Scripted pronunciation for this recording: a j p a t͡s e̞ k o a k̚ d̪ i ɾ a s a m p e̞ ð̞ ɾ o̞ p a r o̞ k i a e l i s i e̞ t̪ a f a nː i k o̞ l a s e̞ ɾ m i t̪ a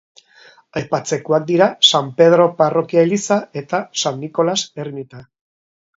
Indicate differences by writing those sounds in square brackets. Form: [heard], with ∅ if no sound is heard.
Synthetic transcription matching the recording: a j p a t͡s e̞ k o a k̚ d̪ i ɾ a s a m p e̞ ð̞ ɾ o̞ p a r o̞ k i a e l i s [a] e̞ t̪ a [s] a nː i k o̞ l a s e̞ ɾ m i t̪ a